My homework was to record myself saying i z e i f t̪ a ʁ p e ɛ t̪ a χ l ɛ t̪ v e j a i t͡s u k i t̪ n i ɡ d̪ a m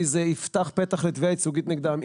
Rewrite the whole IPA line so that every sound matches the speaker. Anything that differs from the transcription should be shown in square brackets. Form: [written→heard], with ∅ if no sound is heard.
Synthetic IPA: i z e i f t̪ a [ʁ→χ] p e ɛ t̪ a χ l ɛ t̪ v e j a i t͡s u [k→ɡ] i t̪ n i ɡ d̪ a m

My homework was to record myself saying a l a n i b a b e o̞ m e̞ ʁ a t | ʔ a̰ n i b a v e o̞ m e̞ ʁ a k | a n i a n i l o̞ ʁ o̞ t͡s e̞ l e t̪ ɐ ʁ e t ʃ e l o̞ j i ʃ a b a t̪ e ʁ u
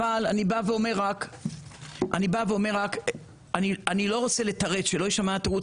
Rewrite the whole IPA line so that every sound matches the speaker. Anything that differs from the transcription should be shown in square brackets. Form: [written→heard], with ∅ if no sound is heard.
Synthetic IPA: a l a n i b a [b→v] e o̞ m e̞ ʁ a [t→k] | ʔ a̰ n i b a v e o̞ m e̞ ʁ a k | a n i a n i l o̞ ʁ o̞ t͡s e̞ l e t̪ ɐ ʁ e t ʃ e l o̞ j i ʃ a [b→m] a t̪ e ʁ u

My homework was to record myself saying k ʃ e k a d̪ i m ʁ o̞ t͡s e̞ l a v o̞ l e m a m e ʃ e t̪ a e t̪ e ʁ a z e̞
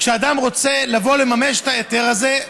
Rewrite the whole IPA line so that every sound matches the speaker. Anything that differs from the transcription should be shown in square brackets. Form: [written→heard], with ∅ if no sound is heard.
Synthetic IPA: k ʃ e [k→∅] a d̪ [i→a] m ʁ o̞ t͡s e̞ l a v o̞ l e m a m e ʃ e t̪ a e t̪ e ʁ a z e̞

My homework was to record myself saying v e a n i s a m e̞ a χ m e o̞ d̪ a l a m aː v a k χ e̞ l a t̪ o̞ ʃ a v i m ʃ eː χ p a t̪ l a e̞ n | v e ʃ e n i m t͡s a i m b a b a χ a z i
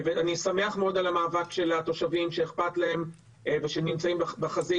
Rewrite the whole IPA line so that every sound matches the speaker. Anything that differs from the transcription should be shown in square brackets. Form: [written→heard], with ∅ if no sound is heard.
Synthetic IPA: v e a n i s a m e̞ a χ m e o̞ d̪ a l a m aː v a k [χ→ʃ] e̞ l a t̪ o̞ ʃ a v i m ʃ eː χ p a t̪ l a e̞ [n→m] | v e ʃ e n i m t͡s a i m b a b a χ a z i

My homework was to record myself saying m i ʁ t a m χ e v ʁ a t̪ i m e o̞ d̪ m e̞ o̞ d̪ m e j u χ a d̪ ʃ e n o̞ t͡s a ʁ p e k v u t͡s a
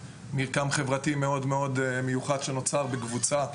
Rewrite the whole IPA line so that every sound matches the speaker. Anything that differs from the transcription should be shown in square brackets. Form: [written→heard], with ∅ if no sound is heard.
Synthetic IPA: m i ʁ [t→k] a m χ e v ʁ a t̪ i m e o̞ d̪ m e̞ o̞ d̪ m e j u χ a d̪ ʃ e n o̞ t͡s a ʁ [p→b] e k v u t͡s a

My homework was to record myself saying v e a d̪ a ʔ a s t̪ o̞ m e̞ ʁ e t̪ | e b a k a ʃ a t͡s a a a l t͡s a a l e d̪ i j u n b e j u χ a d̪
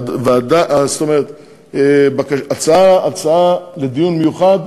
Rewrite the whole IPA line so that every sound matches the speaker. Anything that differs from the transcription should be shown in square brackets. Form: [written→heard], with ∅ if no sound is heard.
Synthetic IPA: v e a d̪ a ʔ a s t̪ o̞ m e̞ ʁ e t̪ | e b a k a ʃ a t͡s a a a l t͡s a a l e d̪ i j u n [b→m] e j u χ a d̪

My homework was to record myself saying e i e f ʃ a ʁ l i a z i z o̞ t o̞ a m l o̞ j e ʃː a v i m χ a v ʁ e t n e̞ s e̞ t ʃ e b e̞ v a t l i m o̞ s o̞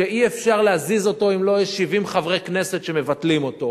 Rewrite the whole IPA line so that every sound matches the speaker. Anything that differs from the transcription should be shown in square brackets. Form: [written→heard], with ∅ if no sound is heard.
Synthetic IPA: e i e f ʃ a ʁ l [i→e] a z i z o̞ t o̞ [a→i] m l o̞ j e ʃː [a→i] v i m χ a v ʁ e [t→k] n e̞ s e̞ t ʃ e [b→m] e̞ v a t l i m o̞ [s→t] o̞

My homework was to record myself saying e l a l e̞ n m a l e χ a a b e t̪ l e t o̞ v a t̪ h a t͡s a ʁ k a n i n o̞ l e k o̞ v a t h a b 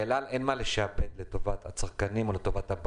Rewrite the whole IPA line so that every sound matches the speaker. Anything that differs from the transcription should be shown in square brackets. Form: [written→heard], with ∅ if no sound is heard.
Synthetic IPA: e l a l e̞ n m a l e [χ→ʃ] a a b e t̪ l e t o̞ v a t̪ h a t͡s a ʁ k a n i [n→m] o̞ l e [k→t] o̞ v a t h a b

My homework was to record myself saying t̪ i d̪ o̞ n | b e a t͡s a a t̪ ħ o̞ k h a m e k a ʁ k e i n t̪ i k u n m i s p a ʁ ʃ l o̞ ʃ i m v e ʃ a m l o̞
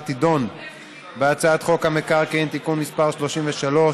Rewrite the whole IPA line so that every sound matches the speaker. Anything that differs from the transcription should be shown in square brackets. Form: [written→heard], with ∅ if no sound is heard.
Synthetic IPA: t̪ i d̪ o̞ n | b e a t͡s a a t̪ [ħ→χ] o̞ k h a m e k a ʁ k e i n t̪ i k u n m i s p a ʁ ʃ l o̞ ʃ i m v e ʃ a [m→∅] l o̞

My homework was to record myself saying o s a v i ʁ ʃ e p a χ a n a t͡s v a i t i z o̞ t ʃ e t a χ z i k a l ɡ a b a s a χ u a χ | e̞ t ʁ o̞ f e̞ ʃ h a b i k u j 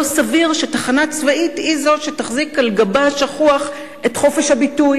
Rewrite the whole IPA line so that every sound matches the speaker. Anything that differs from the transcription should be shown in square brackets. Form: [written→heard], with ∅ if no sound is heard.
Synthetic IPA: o s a v i ʁ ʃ e [p→t] a χ a n a t͡s v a i t i z o̞ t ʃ e t a χ z i k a l ɡ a b a [s→ʃ] a χ u a χ | e̞ t [ʁ→χ] o̞ f e̞ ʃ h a b i [k→t] u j

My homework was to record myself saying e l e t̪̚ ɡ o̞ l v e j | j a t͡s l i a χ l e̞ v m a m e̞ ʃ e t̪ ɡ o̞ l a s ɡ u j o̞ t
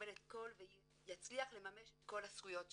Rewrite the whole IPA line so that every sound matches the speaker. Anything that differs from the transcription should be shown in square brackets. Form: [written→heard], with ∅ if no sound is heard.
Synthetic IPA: e l e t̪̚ [ɡ→k] o̞ l v e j | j a t͡s l i a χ l e̞ [v→∅] m a m e̞ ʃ e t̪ [ɡ→k] o̞ l a s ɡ u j o̞ t

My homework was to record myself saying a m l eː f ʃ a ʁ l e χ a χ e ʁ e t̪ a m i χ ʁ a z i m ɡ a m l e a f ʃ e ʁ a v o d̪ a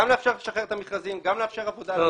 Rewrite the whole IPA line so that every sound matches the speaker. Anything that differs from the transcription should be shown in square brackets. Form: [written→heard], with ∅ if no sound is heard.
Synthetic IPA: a m l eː f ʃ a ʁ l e [χ→ʃ] a χ e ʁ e t̪ a m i χ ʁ a z i m ɡ a m l e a f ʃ e ʁ a v o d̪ a

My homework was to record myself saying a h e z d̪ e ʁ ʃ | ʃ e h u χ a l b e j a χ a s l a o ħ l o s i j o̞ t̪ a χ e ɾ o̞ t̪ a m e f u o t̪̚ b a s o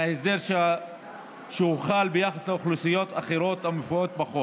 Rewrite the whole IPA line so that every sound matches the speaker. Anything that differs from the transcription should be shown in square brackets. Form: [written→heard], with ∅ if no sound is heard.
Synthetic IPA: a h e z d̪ e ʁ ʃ | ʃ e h u χ a l b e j a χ a s l [a→e] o [ħ→χ] l [o→u] s i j o̞ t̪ a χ e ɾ o̞ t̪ a m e f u o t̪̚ b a [s→χ] o

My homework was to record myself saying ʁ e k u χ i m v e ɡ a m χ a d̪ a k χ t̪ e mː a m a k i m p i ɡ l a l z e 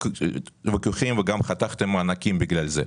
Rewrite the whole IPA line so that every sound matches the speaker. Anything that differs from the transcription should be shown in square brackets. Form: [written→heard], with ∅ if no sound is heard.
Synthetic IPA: [ʁ→v] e k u χ i m v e ɡ a m χ a [d̪→t̪] a [k→∅] χ t̪ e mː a [m→n] a k i m [p→b] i ɡ l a l z e

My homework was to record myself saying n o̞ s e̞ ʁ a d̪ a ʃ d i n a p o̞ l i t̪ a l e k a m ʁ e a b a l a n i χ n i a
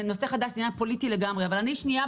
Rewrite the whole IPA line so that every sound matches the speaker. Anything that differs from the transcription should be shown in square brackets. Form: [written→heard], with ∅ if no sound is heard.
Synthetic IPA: n o̞ s e̞ [ʁ→χ] a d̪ a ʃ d i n a p o̞ l i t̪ [a→i] l e [k→ɡ] a m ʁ e a [b→v] a l a n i [χ→ʃ] n i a

